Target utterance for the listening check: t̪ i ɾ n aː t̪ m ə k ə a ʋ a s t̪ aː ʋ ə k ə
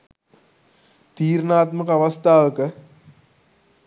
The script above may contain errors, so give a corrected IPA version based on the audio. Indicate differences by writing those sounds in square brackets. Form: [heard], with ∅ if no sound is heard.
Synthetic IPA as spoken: t̪ [iː] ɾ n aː t̪ m ə k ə a ʋ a s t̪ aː ʋ ə k ə